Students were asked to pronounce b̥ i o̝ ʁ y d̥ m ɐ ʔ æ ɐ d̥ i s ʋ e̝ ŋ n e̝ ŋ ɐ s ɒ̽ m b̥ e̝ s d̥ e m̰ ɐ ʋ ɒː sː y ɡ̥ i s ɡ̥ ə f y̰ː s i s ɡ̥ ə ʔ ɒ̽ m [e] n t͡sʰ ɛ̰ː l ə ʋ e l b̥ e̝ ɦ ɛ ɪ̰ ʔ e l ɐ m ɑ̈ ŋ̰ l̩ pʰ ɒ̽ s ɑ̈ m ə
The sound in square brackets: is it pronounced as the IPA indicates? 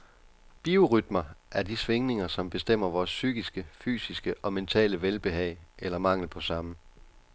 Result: yes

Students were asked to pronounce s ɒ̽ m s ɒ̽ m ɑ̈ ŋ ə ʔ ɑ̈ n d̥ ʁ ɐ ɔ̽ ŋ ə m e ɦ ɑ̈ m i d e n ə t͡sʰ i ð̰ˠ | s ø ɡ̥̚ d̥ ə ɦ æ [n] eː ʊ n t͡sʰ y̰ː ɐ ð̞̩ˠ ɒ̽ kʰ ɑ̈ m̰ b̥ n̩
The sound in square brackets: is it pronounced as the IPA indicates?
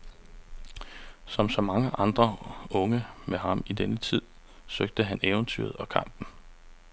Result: yes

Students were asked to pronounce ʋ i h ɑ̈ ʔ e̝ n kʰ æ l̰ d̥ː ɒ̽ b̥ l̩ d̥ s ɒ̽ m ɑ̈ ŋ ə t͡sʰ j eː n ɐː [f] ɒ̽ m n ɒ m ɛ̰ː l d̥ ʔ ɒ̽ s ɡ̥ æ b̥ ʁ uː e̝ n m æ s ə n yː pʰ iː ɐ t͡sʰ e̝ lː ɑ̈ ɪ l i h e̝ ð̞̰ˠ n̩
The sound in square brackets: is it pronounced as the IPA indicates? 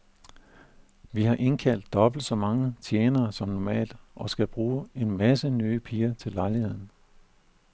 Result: no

